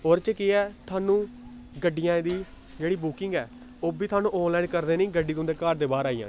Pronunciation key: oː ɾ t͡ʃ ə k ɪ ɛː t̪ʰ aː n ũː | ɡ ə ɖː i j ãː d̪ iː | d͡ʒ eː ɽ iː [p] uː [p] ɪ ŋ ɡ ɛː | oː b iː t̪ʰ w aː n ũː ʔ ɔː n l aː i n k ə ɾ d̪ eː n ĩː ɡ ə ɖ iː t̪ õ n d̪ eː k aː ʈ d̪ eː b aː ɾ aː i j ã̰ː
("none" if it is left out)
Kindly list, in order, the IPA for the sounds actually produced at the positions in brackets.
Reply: b, k

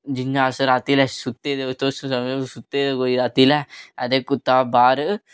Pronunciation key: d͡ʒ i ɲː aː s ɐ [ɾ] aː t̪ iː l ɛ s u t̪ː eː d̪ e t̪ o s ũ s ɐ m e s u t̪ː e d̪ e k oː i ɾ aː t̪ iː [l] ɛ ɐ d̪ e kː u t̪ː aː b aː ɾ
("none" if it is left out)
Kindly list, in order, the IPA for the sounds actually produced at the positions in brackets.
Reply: ɾ, l

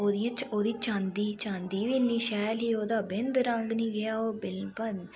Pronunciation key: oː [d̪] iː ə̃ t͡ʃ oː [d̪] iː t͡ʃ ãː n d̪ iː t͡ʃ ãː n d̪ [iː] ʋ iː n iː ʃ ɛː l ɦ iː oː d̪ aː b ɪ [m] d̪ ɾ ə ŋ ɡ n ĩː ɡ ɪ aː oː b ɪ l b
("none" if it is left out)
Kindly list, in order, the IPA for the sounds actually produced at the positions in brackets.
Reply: d̪, d̪, iː, n

